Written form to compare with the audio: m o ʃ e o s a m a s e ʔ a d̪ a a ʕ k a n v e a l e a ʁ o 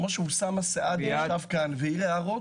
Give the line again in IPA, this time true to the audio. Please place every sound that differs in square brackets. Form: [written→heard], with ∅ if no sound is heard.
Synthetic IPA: m o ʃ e [o→u] s a m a s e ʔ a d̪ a a [ʕ→v] k a n v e [a→i] l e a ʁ o